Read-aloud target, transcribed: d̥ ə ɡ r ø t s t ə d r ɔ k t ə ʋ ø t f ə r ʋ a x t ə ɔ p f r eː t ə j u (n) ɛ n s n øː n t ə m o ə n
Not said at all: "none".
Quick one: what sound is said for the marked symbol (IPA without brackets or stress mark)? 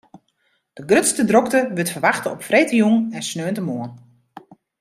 ŋ